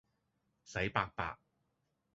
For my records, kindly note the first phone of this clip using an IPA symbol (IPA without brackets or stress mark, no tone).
s